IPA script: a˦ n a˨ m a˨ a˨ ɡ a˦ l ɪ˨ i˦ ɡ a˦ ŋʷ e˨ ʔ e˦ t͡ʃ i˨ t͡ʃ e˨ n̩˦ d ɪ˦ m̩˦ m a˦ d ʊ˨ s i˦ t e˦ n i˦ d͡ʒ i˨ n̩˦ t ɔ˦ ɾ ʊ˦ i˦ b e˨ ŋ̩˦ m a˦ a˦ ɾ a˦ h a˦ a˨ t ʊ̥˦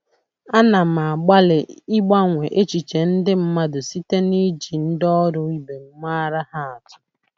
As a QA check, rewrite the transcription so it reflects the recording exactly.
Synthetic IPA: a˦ n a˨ m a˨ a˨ ɡ͡b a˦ l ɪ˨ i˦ ɡ͡b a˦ ŋʷ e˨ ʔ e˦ t͡ʃ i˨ t͡ʃ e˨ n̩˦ d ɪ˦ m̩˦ m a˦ d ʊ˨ s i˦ t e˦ n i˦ d͡ʒ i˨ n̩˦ d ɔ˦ ɾ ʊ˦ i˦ b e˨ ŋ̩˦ m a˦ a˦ ɾ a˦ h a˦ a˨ t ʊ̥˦